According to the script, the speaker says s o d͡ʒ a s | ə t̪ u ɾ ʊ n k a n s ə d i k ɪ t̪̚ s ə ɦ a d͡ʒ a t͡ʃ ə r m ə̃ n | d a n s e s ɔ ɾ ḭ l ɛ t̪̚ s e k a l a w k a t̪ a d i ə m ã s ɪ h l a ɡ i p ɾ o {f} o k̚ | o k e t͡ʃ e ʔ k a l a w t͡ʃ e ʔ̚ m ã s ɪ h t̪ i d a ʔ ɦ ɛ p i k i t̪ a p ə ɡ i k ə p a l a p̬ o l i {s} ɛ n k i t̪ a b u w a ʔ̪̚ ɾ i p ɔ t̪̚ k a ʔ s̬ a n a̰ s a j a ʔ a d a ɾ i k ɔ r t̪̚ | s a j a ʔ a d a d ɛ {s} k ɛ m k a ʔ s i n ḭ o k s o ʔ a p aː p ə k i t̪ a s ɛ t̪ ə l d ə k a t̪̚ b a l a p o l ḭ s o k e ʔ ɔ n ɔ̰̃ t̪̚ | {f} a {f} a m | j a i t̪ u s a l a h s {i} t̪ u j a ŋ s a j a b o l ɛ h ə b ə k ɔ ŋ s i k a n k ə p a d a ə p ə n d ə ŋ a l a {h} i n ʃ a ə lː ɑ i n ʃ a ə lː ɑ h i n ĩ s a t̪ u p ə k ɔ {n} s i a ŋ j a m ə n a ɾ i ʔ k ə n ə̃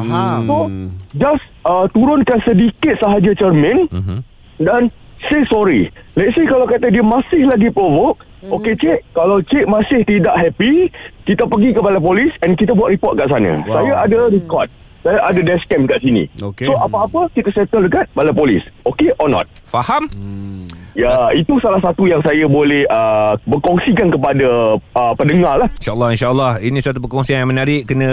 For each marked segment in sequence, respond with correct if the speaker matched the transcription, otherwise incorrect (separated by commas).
incorrect, correct, correct, correct, incorrect, incorrect, correct, incorrect